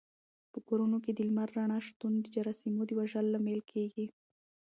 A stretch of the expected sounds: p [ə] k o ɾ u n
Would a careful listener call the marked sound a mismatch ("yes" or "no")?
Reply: no